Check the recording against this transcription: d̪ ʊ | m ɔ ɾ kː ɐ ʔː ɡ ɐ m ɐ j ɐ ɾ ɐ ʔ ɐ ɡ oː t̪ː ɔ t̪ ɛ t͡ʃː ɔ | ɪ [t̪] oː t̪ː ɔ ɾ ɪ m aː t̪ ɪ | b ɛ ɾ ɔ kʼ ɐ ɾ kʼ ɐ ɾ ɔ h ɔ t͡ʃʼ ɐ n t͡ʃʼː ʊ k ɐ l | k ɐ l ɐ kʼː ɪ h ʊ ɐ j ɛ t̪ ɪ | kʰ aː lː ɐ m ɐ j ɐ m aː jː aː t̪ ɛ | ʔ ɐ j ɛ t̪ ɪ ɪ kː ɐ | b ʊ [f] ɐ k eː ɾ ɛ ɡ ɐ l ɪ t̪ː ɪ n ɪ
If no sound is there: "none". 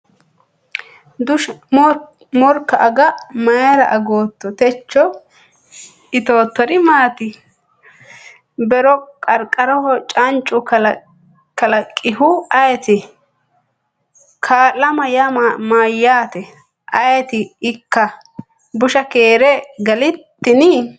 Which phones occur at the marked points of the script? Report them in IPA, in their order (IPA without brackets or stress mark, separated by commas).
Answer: t̪, ʃ